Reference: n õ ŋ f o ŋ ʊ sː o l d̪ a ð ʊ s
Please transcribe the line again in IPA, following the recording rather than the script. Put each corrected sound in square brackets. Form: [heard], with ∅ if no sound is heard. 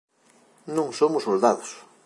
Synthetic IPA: n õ ŋ [s] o [m] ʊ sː o l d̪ a ð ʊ s